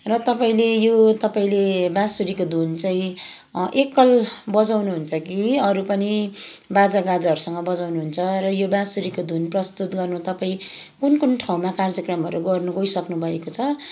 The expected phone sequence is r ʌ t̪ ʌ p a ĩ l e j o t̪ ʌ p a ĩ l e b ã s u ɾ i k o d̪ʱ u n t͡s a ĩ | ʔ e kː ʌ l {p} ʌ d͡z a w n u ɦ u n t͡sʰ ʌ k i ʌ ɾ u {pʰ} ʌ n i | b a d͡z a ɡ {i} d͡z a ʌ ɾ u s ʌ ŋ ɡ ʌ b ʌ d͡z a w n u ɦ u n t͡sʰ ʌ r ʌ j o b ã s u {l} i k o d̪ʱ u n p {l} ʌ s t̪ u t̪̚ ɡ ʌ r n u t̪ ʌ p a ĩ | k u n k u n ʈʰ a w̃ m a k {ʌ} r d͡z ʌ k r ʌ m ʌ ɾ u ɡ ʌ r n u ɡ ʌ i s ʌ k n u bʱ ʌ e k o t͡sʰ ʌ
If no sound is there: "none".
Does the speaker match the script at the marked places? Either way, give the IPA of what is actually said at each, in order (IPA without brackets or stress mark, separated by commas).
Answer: b, p, a, ɾ, r, a